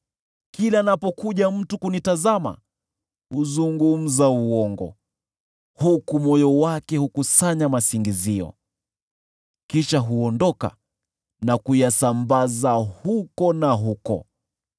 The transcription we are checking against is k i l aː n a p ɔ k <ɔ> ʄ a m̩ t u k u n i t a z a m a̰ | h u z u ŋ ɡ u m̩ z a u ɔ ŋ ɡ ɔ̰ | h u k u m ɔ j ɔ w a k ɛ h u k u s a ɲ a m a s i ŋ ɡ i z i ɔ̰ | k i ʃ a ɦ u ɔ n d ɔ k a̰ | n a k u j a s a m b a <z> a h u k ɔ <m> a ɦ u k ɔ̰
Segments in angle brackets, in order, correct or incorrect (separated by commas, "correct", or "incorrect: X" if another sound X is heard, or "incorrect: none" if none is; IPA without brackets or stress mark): incorrect: u, correct, incorrect: n